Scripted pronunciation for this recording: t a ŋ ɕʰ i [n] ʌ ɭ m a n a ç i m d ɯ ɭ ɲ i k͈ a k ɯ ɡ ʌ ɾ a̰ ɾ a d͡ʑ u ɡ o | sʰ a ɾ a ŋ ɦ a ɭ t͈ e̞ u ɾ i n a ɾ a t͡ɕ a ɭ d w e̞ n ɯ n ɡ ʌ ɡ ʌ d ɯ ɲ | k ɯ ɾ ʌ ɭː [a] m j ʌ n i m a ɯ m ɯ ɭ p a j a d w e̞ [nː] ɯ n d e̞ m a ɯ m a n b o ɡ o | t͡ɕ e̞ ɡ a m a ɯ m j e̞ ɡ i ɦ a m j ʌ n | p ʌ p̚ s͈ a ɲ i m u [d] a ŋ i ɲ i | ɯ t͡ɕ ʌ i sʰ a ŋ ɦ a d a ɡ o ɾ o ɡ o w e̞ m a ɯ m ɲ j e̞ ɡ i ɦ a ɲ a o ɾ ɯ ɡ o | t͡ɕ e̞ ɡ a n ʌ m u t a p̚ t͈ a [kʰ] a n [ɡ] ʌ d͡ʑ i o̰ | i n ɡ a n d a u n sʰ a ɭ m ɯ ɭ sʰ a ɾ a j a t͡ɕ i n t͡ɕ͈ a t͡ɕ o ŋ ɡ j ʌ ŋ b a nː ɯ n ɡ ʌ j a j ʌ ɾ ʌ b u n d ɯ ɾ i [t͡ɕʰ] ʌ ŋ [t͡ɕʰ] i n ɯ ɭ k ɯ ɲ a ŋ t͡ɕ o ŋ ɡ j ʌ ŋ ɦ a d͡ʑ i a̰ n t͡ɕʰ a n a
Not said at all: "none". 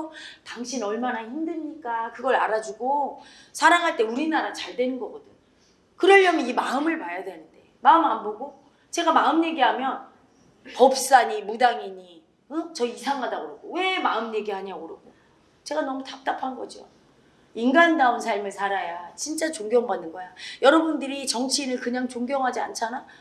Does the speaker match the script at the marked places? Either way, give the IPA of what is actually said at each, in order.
n, ʌ, n, d, pʰ, ɡ, t͡ɕ, t͡ɕʰ

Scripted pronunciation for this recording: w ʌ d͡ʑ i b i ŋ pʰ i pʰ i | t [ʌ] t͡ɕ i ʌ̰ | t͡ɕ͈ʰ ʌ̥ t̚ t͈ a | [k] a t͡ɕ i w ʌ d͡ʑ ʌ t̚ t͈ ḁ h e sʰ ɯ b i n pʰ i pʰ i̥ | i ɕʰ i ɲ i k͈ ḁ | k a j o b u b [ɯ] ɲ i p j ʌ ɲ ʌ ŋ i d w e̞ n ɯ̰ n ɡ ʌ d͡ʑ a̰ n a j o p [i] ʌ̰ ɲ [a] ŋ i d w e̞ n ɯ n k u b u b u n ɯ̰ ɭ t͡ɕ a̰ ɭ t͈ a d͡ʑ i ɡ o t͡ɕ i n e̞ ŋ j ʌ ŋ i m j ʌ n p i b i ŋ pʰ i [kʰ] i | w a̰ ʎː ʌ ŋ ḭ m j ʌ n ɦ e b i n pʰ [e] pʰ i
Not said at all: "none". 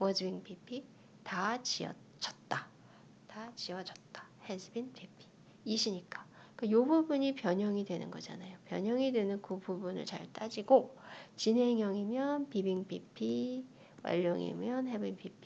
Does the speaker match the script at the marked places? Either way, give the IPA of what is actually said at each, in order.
a, t, u, j, ʌ, pʰ, i

